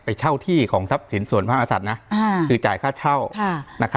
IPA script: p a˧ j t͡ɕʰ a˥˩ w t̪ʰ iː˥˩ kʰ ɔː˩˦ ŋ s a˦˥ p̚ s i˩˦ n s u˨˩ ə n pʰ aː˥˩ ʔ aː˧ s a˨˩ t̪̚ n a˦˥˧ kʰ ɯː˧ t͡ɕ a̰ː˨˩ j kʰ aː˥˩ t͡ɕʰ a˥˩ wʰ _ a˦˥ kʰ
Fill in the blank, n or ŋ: n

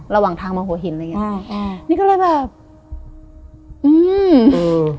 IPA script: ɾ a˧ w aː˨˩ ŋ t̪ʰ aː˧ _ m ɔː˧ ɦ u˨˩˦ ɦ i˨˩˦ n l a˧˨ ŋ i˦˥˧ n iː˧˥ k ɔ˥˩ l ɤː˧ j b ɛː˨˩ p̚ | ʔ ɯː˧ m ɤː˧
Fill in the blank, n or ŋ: ŋ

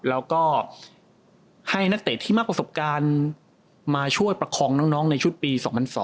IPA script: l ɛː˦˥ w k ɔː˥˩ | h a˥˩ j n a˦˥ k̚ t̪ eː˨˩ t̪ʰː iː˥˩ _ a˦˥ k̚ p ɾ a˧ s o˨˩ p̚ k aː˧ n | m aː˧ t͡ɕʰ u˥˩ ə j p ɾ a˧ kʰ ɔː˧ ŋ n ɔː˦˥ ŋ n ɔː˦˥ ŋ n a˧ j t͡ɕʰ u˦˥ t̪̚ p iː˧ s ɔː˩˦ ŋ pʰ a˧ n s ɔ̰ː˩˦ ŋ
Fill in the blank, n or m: m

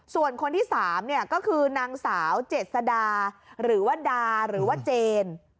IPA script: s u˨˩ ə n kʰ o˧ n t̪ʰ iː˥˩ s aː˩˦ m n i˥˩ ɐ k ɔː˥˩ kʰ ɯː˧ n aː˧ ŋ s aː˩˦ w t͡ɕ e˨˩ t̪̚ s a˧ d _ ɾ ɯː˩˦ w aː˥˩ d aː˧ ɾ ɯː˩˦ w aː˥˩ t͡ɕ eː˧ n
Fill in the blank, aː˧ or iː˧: aː˧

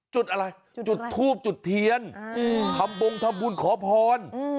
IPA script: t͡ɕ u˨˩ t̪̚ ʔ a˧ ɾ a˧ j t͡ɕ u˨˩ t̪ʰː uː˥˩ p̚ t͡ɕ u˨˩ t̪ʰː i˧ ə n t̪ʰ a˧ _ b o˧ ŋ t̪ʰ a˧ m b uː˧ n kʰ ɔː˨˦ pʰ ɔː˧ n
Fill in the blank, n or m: m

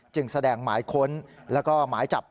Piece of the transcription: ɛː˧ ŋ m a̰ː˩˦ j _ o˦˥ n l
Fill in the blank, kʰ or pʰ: kʰ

